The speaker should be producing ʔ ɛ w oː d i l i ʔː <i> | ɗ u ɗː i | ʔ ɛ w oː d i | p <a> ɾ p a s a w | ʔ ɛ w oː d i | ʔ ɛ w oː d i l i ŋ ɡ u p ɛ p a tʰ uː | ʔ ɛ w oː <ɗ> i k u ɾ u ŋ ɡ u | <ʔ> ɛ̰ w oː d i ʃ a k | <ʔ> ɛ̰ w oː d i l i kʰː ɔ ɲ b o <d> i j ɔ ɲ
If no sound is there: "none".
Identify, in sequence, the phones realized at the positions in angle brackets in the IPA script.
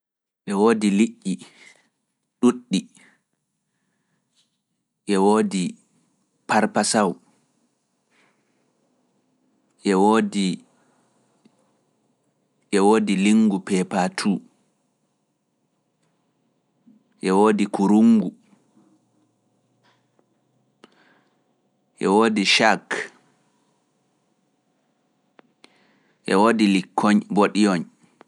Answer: i, a, d, ʔ, ʔ, ɗ

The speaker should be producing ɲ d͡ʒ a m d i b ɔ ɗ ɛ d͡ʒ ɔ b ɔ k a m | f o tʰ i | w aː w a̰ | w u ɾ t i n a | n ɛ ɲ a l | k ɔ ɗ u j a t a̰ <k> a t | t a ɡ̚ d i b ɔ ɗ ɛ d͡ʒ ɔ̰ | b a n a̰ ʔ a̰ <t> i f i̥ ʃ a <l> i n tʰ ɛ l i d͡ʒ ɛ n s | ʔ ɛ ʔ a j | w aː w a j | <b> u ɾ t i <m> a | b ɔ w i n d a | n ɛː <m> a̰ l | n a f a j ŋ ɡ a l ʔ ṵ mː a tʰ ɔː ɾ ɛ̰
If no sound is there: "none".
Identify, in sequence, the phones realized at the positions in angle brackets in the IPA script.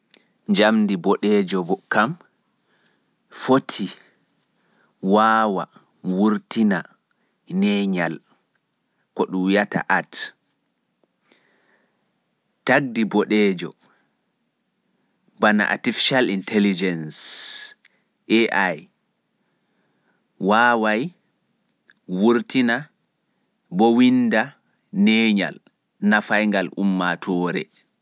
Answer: ʔ, t, l, w, n, ɲ

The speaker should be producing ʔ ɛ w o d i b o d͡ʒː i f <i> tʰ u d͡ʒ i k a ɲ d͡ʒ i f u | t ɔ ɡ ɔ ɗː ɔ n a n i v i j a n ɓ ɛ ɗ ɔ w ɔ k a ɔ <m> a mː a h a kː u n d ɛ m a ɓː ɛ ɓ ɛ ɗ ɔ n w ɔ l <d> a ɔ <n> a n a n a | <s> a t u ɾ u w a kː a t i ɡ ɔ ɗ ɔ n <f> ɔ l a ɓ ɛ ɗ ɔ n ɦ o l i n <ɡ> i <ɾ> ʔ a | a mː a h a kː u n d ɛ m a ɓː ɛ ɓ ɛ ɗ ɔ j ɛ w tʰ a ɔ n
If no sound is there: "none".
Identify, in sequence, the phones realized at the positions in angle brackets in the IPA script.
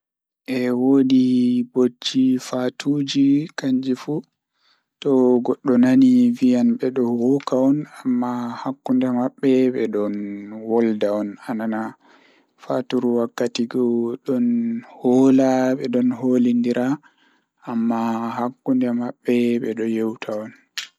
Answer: a, n, d, n, f, h, d, ɾ

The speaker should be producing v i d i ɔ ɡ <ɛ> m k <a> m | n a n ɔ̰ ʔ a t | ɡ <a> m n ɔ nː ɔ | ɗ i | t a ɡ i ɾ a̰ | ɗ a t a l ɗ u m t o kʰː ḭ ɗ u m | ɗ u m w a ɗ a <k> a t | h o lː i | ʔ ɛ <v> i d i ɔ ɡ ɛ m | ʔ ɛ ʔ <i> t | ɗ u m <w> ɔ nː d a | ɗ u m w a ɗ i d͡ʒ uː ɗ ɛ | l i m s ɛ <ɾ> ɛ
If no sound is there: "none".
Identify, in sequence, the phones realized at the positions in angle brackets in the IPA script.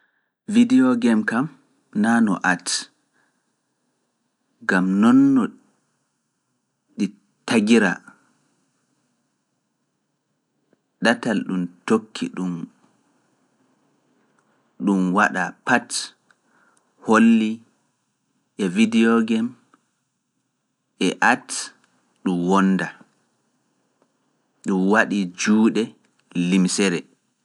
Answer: ɛ, a, a, p, v, a, w, ɾ

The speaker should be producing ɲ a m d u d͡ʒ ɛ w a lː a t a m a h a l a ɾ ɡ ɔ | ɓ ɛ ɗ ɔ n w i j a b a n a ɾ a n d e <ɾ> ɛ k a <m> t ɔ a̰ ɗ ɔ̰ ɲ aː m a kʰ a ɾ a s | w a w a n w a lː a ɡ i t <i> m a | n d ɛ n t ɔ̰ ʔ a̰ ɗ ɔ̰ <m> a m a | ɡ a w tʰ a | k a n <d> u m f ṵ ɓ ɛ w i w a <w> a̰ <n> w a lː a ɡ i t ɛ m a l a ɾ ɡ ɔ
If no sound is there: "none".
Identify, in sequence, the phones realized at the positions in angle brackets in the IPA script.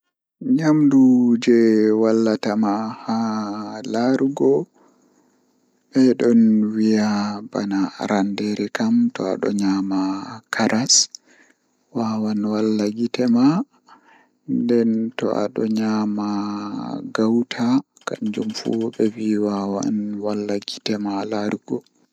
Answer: ɾ, m, ɛ, ɲ, d͡ʒ, w, n

